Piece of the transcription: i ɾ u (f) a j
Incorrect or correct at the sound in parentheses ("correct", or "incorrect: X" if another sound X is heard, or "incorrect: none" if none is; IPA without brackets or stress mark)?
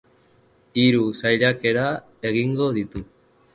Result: incorrect: s